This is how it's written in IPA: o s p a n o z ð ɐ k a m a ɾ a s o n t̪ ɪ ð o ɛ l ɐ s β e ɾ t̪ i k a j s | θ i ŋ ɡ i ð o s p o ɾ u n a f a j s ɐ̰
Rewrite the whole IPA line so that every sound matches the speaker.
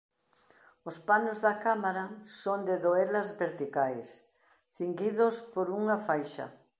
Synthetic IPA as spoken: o s p a n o z ð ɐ k a m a ɾ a s o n d̪ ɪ ð o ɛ l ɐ z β e ɾ t̪ i k a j s | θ i ŋ ɡ i ð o s p o ɾ u ŋ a f a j ʃ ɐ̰